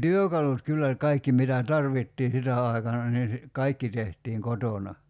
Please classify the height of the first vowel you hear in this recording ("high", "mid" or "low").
high